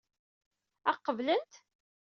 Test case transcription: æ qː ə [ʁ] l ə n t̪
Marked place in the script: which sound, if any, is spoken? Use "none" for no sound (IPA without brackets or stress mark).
v